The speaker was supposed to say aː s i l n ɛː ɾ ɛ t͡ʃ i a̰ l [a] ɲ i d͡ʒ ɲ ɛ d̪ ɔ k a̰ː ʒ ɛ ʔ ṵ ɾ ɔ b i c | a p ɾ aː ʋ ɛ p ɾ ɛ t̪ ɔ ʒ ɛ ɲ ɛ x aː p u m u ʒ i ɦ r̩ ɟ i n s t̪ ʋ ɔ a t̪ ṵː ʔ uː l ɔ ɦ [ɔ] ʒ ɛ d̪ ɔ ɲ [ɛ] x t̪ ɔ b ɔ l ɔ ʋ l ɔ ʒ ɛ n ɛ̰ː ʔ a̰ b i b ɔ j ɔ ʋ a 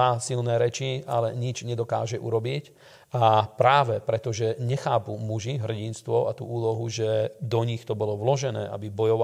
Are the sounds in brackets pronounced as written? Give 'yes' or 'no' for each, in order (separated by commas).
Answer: no, no, no